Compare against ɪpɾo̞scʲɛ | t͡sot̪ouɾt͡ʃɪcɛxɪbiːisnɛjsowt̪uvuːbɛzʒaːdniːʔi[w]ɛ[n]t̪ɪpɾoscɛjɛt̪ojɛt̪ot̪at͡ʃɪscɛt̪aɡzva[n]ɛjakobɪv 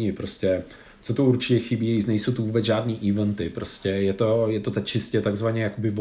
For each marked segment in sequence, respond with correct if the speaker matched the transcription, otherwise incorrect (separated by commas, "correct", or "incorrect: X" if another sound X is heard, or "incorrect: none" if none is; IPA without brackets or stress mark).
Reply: incorrect: v, correct, incorrect: ɲ